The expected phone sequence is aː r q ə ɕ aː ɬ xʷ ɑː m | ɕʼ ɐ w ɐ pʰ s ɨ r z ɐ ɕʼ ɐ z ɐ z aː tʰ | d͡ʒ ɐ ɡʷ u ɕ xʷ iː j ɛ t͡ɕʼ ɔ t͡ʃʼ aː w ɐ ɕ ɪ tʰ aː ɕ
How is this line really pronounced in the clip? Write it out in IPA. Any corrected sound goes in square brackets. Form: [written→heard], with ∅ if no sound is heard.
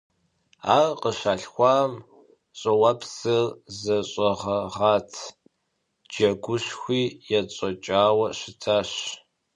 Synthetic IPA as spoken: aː r q ə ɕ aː ɬ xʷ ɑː m | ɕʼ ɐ w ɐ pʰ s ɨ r z ɐ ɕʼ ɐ [z→ʁ] ɐ [z→ʁ] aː tʰ | d͡ʒ ɐ ɡʷ [u→ʊ] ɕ xʷ iː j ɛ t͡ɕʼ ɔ t͡ʃʼ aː w ɐ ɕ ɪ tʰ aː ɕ